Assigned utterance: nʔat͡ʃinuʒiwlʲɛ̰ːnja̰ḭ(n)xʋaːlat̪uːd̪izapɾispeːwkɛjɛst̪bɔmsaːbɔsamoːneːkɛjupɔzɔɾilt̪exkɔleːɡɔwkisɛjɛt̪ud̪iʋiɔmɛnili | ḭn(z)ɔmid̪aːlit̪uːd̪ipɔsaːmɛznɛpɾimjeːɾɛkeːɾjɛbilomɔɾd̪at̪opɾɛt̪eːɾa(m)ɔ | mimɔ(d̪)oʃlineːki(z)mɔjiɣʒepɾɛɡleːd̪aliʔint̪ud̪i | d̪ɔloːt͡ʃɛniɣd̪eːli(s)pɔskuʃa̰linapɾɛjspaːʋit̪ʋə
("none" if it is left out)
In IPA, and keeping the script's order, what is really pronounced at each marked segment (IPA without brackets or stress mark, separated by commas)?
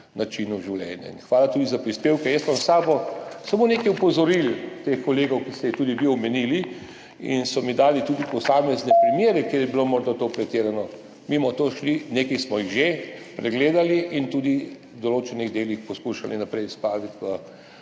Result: n, s, n, t̪, s, x